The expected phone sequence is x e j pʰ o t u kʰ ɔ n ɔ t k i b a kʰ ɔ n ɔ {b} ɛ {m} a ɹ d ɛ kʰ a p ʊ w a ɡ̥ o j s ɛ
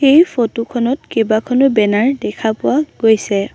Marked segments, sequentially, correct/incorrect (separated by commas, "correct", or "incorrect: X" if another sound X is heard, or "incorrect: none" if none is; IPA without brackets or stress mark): correct, incorrect: n